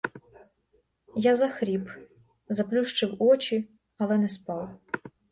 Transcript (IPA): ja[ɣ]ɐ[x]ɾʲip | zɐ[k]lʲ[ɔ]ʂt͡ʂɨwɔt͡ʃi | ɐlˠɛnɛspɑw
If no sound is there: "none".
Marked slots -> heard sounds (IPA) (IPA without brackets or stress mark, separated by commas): z, x, p, u